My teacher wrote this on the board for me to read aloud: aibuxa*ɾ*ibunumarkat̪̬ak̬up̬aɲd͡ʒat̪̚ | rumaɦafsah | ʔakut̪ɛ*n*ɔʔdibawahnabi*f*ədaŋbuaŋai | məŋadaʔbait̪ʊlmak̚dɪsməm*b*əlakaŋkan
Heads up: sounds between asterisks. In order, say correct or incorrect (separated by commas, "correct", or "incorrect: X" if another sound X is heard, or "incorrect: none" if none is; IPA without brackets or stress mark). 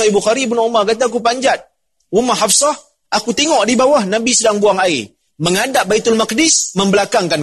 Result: correct, incorrect: ŋ, incorrect: s, correct